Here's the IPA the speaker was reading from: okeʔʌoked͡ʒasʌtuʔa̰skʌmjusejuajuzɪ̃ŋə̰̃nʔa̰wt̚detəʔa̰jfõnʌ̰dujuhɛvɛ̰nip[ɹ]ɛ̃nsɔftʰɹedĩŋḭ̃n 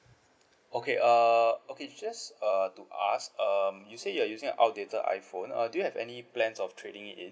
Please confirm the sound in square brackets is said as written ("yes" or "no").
no